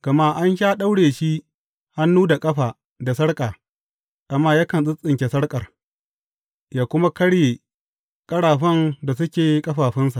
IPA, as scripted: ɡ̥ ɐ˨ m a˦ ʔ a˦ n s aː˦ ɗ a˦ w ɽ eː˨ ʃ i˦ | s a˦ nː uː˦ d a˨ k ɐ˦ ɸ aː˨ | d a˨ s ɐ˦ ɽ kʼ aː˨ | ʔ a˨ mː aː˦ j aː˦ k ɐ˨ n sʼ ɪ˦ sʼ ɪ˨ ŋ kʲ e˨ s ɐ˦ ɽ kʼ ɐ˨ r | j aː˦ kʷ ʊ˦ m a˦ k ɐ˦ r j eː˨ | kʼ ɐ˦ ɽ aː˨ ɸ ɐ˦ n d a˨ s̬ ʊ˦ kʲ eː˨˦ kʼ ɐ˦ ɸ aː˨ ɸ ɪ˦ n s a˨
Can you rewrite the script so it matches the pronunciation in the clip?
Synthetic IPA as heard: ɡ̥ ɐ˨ m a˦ ʔ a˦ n ʃ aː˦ ɗ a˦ w ɽ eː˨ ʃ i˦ | h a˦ nː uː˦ d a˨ kʼ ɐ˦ ɸ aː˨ | d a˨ s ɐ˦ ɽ kʼ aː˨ | ʔ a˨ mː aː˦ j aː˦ k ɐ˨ n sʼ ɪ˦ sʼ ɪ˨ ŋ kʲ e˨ s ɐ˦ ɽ kʼ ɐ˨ r | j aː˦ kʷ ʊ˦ m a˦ k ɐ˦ ɽ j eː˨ | kʼ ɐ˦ ɽ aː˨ ɸ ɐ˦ n d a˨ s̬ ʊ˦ kʲ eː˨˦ kʼ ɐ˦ ɸ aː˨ ɸ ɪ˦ n s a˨